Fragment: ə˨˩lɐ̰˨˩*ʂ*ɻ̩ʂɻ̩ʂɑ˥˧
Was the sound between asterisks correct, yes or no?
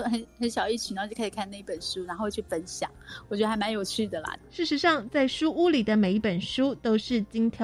yes